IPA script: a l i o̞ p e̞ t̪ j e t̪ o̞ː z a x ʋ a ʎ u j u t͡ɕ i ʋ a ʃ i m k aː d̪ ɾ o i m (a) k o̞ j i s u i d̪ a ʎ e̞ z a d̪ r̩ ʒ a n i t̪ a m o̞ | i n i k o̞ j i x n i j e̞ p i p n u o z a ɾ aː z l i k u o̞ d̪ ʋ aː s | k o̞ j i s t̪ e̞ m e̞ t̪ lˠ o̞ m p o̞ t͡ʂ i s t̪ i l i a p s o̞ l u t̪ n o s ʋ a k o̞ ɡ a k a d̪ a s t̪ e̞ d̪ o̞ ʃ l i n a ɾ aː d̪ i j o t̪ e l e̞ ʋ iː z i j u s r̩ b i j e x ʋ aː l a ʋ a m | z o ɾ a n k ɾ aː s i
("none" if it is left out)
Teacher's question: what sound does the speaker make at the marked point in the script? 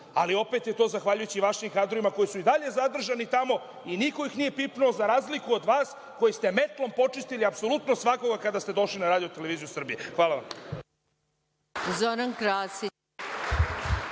a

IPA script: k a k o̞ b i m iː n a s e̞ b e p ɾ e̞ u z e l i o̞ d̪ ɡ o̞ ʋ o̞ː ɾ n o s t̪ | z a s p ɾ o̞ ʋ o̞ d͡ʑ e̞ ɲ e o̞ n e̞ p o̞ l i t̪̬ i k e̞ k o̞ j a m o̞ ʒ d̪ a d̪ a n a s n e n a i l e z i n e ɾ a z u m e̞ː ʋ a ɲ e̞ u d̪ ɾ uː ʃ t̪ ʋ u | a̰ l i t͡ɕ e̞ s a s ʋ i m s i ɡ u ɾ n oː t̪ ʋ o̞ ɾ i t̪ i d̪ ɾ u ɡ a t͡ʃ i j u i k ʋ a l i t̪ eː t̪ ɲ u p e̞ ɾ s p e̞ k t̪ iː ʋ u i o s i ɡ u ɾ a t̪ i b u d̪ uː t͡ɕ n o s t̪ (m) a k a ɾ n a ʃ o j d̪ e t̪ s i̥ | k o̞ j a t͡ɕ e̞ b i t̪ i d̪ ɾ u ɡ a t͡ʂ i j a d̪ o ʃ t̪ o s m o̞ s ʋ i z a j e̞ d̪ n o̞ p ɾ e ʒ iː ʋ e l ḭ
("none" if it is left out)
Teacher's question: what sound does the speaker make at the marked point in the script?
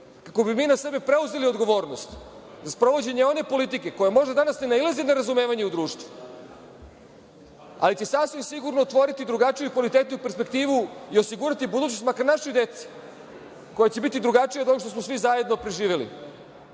m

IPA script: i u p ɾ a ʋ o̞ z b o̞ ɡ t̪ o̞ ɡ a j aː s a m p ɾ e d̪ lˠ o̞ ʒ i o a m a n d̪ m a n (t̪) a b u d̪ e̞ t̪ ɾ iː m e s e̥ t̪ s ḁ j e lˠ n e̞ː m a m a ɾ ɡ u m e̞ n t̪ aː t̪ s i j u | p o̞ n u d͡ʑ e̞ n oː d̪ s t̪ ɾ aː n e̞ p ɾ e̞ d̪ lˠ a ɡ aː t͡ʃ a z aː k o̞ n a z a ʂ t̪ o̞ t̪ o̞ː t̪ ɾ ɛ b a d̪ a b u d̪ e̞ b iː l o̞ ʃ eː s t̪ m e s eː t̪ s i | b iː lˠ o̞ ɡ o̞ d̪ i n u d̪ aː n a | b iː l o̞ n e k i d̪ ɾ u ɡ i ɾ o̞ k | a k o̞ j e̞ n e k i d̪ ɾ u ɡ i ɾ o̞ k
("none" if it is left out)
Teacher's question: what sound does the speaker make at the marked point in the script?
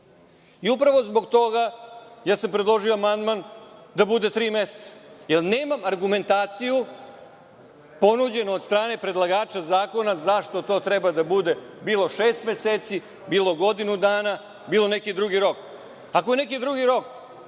d̪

